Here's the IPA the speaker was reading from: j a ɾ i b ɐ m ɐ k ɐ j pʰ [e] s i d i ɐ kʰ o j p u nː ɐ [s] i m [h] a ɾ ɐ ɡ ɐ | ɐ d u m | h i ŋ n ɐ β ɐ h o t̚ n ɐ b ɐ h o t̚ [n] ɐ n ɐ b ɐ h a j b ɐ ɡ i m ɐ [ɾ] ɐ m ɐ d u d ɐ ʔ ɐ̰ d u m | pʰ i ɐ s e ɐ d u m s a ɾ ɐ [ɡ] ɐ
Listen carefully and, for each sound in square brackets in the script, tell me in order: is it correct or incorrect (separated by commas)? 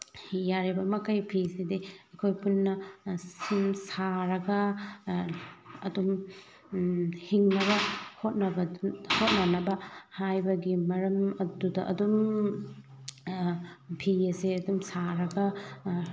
incorrect, correct, incorrect, correct, correct, correct